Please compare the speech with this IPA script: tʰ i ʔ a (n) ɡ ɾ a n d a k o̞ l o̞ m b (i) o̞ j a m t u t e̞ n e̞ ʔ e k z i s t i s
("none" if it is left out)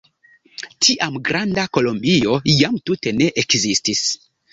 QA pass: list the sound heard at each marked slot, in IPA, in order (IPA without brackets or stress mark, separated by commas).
m, i